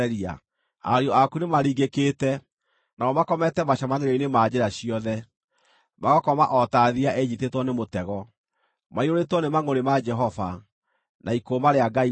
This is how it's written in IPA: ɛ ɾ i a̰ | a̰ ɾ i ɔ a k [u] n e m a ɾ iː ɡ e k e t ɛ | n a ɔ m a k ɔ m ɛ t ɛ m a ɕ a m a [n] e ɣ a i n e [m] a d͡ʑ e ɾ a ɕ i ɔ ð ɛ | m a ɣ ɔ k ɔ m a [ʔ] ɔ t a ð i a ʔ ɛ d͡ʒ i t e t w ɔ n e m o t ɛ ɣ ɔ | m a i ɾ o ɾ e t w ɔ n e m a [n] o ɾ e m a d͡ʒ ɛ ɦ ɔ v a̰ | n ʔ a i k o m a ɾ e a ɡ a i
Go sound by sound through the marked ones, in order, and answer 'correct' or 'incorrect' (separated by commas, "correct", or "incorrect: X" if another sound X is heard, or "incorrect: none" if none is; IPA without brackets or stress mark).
correct, correct, correct, correct, incorrect: ŋ